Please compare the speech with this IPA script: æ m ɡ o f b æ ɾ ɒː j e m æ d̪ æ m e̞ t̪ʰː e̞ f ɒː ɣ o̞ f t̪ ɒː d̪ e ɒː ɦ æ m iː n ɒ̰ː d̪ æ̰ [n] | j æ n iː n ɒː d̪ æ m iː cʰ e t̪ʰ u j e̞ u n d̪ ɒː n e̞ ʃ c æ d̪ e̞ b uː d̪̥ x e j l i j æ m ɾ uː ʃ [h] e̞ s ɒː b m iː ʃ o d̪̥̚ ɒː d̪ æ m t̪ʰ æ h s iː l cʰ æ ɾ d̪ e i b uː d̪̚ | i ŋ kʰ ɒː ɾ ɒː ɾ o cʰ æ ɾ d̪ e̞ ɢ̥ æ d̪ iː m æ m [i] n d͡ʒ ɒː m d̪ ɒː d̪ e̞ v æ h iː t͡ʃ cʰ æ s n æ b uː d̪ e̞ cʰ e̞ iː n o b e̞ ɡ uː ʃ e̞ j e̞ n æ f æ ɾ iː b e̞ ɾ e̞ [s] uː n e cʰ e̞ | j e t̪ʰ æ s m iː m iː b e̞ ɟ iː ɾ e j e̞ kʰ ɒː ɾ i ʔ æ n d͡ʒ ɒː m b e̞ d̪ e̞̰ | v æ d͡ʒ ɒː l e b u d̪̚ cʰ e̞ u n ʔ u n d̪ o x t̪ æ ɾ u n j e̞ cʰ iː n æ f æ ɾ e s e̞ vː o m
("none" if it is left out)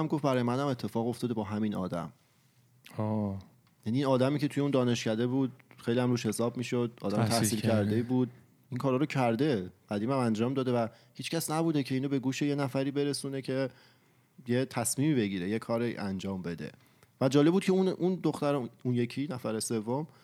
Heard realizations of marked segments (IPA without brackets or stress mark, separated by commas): m, h, æ, s